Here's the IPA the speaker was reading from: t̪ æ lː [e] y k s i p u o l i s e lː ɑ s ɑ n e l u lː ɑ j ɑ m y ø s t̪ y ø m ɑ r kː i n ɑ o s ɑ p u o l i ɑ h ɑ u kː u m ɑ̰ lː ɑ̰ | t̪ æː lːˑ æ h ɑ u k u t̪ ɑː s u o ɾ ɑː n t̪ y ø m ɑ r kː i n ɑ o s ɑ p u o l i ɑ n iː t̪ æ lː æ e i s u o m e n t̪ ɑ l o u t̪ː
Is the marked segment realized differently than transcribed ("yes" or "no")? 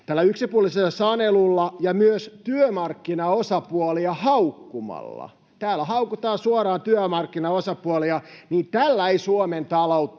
yes